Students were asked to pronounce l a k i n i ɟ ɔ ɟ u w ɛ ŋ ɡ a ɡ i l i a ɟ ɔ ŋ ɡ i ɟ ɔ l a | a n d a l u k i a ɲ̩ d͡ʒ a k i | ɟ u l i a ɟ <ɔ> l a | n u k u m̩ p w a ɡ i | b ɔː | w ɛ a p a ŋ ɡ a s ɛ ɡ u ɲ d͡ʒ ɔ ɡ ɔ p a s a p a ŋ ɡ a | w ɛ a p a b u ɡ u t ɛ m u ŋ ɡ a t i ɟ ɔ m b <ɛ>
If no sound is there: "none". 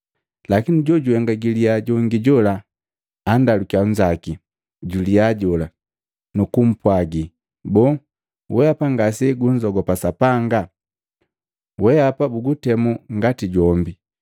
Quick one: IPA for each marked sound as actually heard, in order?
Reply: ɔ, i

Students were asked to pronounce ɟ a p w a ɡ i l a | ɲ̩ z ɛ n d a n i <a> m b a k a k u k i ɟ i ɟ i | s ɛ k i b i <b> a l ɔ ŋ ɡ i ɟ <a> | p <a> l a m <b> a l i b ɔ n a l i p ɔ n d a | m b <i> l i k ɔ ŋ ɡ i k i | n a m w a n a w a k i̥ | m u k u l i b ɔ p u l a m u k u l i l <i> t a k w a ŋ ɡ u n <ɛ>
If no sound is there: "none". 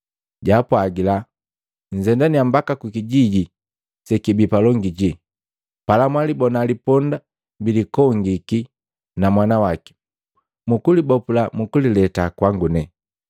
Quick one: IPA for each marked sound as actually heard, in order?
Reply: a, p, i, a, w, i, ɛ, ɛ

